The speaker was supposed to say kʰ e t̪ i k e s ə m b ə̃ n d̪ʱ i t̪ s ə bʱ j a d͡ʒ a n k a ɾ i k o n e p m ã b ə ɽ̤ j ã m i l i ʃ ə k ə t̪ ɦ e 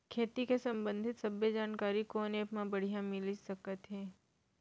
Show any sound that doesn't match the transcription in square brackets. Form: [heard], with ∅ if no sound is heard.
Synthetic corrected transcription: kʰ e t̪ i k e s ə m b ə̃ n d̪ʱ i t̪ s ə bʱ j [ə] d͡ʒ a n k a ɾ i k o n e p m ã b ə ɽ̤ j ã m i l i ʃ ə k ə t̪ ɦ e